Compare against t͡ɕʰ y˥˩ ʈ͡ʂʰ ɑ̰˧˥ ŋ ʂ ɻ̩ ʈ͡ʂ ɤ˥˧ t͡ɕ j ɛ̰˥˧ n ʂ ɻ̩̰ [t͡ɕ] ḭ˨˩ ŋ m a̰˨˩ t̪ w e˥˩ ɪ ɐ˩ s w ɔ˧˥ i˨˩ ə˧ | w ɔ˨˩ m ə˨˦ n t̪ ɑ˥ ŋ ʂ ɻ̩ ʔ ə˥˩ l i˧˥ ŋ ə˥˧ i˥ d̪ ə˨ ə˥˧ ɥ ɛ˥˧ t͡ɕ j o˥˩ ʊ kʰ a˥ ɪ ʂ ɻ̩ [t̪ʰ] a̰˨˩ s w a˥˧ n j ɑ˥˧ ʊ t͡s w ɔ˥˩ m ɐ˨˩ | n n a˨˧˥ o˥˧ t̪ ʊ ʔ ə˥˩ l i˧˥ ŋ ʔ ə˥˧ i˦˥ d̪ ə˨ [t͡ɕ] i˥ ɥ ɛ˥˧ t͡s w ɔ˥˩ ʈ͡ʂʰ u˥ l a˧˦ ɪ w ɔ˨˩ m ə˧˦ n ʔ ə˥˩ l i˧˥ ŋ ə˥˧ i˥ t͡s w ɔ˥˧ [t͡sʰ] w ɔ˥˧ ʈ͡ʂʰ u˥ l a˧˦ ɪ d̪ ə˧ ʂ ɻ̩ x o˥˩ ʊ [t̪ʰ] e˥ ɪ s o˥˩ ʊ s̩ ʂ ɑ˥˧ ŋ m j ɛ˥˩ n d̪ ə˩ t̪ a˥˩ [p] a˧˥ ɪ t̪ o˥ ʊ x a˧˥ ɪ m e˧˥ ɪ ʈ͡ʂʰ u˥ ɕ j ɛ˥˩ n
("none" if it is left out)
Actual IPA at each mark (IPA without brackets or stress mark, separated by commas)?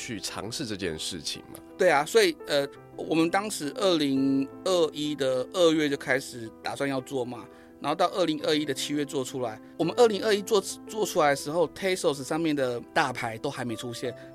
t͡ɕʰ, t̪, t͡ɕʰ, t͡s, t̪ʰ, pʰ